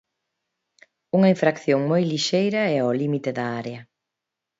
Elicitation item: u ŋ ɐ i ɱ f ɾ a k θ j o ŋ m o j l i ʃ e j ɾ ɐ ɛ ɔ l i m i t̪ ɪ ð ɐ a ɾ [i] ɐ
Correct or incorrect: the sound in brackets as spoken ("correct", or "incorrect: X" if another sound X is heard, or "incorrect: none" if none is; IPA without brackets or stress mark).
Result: incorrect: e